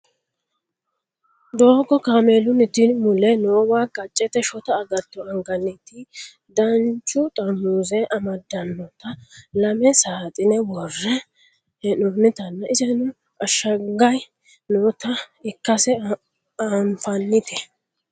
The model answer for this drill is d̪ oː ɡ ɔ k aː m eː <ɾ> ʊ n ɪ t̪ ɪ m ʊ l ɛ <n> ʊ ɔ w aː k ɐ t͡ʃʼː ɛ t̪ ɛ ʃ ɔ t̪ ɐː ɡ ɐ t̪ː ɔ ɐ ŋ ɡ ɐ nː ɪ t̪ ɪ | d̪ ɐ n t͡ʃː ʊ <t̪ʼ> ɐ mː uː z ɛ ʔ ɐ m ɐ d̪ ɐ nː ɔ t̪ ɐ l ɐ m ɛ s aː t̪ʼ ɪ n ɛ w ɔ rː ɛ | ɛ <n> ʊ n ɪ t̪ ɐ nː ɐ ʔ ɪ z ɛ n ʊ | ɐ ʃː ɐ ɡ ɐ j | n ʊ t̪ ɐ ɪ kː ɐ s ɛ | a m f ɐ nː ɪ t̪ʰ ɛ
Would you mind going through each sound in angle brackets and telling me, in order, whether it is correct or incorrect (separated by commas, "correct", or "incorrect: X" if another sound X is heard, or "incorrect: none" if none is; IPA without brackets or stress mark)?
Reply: incorrect: l, correct, correct, correct